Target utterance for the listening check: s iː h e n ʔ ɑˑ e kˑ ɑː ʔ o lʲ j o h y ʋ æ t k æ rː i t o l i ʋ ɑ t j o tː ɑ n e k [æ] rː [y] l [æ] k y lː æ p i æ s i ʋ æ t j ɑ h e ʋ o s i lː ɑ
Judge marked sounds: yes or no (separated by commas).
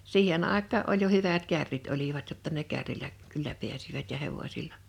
yes, no, yes